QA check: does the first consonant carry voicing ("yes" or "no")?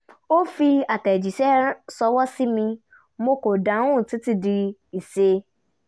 no